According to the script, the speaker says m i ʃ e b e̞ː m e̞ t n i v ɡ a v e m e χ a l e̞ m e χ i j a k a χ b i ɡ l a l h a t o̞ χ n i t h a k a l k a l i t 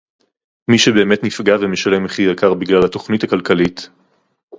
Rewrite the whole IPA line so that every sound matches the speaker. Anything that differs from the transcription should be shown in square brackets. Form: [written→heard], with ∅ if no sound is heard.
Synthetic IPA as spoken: m i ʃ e b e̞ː m e̞ t n i [v→f] ɡ a v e m e [χ→ʃ] a l e̞ m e χ i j a k a [χ→ʁ] b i ɡ l a l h a t o̞ χ n i t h a k a l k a l i t